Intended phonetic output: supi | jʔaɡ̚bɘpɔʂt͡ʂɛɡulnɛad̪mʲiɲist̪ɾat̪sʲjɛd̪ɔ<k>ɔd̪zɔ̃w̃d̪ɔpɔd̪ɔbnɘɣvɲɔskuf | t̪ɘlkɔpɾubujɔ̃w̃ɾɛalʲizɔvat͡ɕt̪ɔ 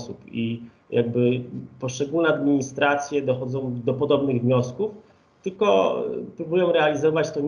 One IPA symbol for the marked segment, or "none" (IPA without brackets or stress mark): x